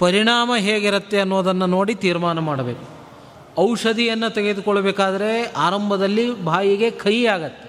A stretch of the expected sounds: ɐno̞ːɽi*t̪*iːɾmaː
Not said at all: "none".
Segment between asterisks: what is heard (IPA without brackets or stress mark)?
t̪